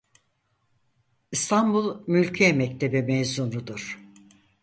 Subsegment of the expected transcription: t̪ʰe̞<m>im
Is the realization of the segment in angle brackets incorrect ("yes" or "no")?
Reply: yes